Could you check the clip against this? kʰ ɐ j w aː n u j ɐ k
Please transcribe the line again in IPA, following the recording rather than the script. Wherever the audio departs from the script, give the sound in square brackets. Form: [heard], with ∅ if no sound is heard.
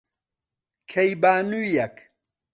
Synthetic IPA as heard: kʰ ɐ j [b] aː n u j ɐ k